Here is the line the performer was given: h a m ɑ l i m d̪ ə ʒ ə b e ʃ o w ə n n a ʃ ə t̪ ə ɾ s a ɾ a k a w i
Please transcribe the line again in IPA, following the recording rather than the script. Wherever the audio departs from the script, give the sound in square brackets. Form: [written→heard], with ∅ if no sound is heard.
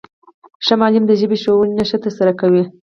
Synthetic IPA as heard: [h→ʃ] a m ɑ l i m d̪ ə ʒ ə b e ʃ o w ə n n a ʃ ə t̪ ə ɾ s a ɾ a k a w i